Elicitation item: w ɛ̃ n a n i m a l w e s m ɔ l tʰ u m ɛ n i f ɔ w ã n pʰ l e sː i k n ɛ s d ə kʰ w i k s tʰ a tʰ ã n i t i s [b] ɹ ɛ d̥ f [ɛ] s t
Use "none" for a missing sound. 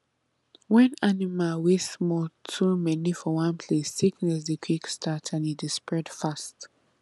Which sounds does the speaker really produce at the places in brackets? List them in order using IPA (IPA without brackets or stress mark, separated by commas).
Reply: p, a